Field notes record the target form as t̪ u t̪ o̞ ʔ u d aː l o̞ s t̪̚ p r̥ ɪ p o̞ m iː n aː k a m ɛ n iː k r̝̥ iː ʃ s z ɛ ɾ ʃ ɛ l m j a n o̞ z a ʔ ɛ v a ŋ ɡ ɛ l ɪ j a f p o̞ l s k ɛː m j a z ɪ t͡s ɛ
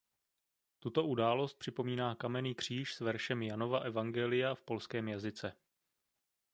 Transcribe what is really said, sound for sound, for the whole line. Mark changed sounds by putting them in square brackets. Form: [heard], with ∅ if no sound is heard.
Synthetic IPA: t̪ u t̪ o̞ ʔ u d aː l o̞ s t̪̚ p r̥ ɪ p o̞ m iː n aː k a m ɛ n iː k r̝̥ iː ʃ s [v] ɛ ɾ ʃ ɛ [∅] m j a n o̞ [v] a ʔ ɛ v a ŋ ɡ ɛ l ɪ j a f p o̞ l s k ɛː m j a z ɪ t͡s ɛ